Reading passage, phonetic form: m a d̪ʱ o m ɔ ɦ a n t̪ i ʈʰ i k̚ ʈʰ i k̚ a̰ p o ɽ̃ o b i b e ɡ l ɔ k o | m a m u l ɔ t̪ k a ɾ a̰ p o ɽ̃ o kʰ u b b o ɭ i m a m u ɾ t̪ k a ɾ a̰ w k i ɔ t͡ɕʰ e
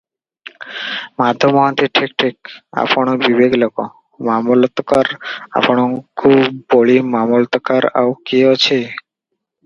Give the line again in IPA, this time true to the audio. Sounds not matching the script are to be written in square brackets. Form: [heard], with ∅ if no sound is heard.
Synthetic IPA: m a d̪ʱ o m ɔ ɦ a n t̪ i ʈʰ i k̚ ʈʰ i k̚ a̰ p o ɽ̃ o b i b e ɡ l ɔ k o | m a m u l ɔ t̪ k a ɾ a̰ p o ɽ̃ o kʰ u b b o ɭ i m a m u [l] t̪ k a ɾ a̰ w k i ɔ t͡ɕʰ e